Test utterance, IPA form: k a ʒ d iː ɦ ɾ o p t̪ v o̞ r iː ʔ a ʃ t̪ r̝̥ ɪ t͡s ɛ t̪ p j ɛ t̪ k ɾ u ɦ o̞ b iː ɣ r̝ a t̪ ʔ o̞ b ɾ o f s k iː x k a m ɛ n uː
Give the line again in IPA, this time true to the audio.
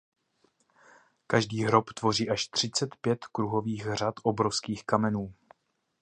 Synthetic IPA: k a ʒ d iː ɦ ɾ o p t̪ v o̞ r iː ʔ a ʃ t̪ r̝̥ ɪ t͡s ɛ t̪ p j ɛ t̪ k ɾ u ɦ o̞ v iː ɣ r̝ a t̪ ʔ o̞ b ɾ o f s k iː x k a m ɛ n uː